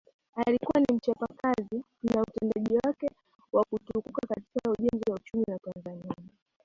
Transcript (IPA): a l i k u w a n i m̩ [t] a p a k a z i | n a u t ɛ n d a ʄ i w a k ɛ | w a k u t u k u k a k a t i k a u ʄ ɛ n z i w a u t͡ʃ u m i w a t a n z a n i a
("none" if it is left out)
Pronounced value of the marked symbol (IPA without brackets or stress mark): t͡ʃ